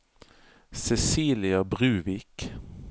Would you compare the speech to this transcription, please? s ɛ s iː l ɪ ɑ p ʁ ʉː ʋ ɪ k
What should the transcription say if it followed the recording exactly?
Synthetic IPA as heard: s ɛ s iː l ɪ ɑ b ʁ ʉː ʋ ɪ k